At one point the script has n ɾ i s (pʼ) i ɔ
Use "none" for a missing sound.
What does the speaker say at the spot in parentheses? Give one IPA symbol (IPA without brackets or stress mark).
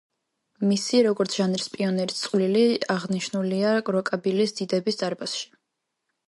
pʼ